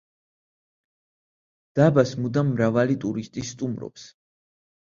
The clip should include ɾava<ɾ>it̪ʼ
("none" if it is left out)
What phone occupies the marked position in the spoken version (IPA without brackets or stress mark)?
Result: l